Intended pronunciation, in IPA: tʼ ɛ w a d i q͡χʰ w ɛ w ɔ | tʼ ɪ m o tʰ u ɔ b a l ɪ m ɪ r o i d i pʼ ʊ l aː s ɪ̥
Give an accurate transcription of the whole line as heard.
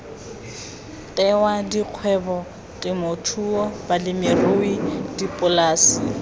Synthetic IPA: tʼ ɛ w a d i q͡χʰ w ɛ b ɔ | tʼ ɪ m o tʰ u ɔ b a l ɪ m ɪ r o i d i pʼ ʊ l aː s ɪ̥